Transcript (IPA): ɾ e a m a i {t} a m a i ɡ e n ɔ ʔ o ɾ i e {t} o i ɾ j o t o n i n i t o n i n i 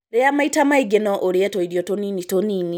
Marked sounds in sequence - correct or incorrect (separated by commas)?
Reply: correct, correct